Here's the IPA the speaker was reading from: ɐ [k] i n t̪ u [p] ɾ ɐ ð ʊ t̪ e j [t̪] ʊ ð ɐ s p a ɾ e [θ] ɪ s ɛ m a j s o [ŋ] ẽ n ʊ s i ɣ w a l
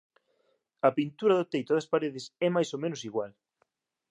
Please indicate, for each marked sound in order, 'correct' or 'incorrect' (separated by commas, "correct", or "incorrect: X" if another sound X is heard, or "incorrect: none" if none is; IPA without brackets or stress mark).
incorrect: p, incorrect: none, correct, incorrect: ð, incorrect: m